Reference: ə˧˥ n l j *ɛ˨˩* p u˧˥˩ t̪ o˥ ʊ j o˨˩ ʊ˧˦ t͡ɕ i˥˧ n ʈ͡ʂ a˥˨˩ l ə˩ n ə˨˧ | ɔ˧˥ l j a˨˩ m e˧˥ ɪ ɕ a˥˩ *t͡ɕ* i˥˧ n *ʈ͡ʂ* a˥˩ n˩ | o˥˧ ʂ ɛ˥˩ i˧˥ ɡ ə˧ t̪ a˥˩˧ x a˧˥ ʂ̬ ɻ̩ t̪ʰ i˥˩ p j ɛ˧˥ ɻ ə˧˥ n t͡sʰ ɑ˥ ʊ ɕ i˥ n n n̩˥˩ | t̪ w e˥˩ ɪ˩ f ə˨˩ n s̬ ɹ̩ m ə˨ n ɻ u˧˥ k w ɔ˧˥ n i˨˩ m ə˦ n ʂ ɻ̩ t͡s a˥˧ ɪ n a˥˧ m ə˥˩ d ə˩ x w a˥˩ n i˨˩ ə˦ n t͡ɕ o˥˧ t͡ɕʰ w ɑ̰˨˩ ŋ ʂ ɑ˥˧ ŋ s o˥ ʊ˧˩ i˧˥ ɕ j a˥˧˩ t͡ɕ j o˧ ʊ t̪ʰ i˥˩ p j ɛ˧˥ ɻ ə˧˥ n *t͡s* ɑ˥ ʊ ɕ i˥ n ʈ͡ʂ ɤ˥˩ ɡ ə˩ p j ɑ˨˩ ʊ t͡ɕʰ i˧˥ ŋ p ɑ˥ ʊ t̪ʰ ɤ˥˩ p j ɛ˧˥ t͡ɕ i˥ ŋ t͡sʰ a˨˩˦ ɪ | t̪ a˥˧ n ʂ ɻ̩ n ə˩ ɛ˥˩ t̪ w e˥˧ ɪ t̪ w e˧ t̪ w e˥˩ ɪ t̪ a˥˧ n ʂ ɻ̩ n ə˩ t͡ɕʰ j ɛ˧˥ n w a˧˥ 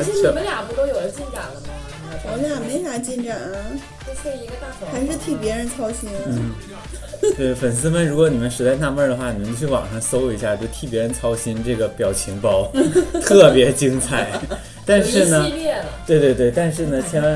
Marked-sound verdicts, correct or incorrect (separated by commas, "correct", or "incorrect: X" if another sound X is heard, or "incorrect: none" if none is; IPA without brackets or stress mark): incorrect: a˨˩, correct, correct, incorrect: t͡sʰ